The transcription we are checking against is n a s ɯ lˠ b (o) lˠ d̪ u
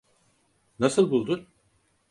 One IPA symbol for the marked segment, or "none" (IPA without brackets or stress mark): u